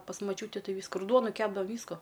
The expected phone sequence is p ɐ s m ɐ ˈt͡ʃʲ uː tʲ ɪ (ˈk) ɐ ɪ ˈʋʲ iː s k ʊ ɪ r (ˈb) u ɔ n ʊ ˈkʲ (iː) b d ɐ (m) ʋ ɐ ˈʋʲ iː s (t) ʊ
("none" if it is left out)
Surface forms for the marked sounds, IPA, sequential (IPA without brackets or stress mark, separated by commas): t, d, æː, none, k